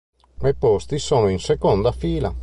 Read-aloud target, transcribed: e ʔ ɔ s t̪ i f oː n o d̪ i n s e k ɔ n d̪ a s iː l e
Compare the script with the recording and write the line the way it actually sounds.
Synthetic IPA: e p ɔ s t̪ i s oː n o i n s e k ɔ n d̪ a f iː l a